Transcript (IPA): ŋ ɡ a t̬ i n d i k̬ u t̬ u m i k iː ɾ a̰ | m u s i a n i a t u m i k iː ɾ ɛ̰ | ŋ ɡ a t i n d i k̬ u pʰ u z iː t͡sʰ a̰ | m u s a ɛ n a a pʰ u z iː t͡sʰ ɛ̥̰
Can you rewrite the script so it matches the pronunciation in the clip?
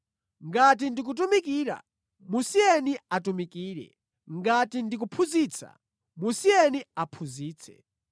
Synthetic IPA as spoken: ŋ ɡ a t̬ i n d i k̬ u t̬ u m i k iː ɾ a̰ | m u s i ɛ n i a t u m i k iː ɾ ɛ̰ | ŋ ɡ a t i n d i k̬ u pʰ u z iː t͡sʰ a̰ | m u s i ɛ n i a pʰ u z iː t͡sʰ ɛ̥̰